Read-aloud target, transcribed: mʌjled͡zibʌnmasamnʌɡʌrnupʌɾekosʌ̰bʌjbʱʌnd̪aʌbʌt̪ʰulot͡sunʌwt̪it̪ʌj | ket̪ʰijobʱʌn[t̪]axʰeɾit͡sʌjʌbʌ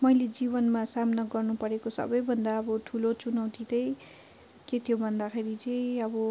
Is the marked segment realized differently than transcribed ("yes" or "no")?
yes